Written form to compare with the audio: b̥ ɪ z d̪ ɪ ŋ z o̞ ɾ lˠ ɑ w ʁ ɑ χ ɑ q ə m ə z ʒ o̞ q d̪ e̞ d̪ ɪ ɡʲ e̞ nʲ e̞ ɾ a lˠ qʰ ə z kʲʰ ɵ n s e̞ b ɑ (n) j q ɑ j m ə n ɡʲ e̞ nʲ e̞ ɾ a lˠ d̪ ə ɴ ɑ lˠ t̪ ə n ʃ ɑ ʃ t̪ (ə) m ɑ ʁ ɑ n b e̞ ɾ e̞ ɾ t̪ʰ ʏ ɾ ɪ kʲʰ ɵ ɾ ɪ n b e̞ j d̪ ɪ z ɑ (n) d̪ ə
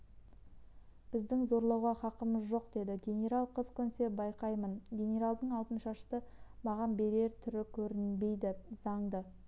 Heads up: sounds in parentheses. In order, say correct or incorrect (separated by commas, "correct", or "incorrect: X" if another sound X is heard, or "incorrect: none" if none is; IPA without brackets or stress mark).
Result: incorrect: none, correct, incorrect: ɴ